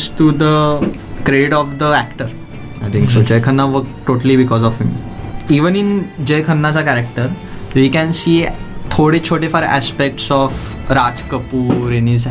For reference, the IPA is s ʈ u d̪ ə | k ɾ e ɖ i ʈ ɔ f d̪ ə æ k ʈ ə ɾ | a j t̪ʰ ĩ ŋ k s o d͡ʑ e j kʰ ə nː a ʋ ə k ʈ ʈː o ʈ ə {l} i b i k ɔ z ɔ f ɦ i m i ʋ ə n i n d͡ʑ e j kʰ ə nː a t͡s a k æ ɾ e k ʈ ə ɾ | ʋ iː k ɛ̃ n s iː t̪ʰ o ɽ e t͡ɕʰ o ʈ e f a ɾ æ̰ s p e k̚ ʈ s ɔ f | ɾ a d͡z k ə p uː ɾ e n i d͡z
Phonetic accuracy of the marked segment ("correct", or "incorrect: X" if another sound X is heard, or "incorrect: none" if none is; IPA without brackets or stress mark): correct